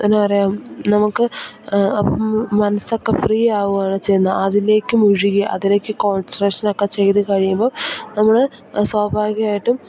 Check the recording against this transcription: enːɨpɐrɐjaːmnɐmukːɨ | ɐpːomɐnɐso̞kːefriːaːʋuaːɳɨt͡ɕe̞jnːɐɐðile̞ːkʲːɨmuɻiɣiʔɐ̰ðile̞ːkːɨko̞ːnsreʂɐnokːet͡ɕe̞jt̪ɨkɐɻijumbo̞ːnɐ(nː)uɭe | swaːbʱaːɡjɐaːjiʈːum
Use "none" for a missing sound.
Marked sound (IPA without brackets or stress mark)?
mː